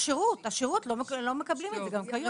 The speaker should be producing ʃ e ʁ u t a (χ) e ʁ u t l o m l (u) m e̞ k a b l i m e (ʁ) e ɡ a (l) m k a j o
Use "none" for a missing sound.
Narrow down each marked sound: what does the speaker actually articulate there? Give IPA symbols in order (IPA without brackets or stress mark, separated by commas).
ʃ, o, z, none